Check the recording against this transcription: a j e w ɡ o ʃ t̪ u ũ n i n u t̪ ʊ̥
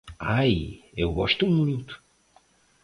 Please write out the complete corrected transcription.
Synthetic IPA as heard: a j e w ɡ ɔ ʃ t̪ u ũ m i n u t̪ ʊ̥